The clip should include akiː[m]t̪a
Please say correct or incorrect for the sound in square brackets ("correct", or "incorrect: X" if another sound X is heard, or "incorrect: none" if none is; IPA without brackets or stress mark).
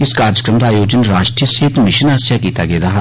incorrect: none